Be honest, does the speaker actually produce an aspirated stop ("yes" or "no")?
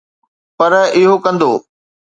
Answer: no